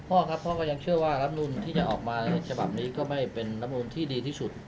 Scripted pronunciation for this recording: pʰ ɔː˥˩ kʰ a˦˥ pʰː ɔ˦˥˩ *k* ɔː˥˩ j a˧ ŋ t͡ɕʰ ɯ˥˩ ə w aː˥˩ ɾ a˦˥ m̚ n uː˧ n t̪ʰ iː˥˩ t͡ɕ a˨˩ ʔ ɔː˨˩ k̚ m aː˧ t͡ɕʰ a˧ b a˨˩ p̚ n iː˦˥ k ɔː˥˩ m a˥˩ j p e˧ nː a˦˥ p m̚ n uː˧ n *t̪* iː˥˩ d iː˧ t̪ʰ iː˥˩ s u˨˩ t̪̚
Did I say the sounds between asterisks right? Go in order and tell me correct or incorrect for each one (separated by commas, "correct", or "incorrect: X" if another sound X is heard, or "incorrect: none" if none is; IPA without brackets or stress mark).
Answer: correct, incorrect: t̪ʰ